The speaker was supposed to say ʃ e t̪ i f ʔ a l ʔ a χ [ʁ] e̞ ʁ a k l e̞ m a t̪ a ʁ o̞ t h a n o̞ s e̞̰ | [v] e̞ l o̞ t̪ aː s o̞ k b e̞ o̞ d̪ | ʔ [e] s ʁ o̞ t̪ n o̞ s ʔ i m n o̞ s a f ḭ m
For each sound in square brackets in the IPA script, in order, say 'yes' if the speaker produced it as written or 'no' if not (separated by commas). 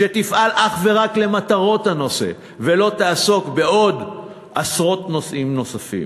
no, yes, no